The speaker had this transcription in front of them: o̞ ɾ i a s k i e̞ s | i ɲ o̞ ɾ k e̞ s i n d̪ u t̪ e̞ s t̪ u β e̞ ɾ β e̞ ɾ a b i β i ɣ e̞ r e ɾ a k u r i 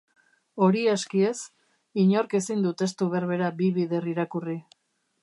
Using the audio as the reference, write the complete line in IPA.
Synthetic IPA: o̞ ɾ i a s k i e̞ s | i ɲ o̞ ɾ k e̞ s i n d̪ u t̪ e̞ s t̪ u β e̞ ɾ β e̞ ɾ a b i β i ð e̞ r i ɾ a k u r i